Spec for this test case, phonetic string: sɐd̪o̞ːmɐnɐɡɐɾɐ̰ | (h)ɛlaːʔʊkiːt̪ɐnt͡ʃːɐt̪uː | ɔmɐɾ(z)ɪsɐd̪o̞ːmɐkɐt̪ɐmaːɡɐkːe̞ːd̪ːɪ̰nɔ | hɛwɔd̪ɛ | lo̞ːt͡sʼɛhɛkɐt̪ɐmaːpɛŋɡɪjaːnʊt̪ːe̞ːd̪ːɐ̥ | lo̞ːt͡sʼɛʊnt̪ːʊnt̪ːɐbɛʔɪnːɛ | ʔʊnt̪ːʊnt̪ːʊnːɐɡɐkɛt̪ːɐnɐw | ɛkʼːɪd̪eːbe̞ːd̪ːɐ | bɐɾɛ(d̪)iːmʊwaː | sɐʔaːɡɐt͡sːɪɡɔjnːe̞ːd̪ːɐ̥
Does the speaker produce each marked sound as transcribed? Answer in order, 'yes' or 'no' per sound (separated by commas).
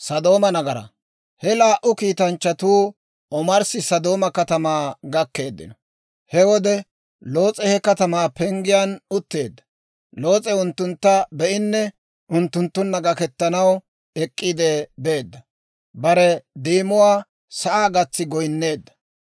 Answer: yes, no, yes